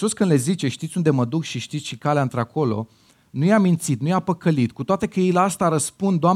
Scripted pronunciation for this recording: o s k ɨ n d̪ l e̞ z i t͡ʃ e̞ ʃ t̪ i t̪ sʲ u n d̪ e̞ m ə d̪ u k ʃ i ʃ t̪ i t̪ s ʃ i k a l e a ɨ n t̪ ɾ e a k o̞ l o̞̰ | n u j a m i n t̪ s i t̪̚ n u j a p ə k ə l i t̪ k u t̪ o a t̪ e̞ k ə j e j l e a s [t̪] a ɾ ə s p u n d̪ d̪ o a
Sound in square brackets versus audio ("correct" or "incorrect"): correct